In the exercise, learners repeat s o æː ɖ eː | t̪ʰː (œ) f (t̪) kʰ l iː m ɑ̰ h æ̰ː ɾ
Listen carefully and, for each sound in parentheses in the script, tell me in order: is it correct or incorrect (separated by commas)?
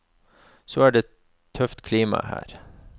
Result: correct, correct